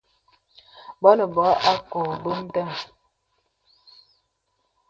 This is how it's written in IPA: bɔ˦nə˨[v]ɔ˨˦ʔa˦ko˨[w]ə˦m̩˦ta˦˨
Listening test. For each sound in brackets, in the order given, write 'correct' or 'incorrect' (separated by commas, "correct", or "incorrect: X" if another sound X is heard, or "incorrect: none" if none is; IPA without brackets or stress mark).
incorrect: b, incorrect: b